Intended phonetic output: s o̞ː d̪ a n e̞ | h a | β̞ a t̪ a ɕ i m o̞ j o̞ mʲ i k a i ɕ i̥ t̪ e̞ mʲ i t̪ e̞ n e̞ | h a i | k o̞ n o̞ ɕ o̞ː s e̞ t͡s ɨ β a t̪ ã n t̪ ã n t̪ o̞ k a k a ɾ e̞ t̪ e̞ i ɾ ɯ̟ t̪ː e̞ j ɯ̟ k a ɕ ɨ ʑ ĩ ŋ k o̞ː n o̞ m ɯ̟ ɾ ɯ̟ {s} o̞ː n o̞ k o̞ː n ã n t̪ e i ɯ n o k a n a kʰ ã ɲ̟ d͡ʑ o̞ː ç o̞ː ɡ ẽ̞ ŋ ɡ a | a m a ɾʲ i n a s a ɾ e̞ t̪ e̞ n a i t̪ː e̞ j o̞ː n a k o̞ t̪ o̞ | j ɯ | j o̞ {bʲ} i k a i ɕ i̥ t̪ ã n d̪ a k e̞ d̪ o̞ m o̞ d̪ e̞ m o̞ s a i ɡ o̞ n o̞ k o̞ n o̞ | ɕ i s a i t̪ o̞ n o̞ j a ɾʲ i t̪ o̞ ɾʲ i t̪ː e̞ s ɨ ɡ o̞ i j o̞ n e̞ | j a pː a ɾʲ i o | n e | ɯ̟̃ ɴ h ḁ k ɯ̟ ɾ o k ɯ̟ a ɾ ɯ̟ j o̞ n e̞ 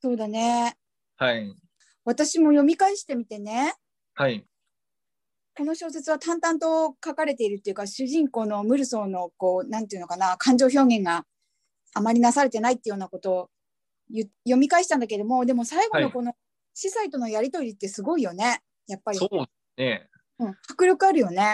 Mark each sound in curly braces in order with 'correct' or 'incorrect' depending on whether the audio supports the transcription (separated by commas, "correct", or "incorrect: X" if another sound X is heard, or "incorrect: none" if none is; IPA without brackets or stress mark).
correct, incorrect: mʲ